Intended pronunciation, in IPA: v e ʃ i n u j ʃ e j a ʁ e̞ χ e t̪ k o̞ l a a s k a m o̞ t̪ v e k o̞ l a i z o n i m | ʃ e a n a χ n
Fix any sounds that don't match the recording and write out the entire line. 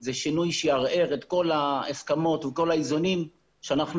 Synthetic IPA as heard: z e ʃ i n u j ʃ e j a ʁ e̞ ʁ e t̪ k o̞ l a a s k a m o̞ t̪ v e k o̞ l a i z o n i m | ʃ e a n a χ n